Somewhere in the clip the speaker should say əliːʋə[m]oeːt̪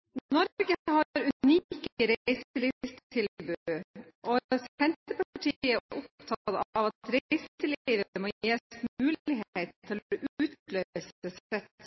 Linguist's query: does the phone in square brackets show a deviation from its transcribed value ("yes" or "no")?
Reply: no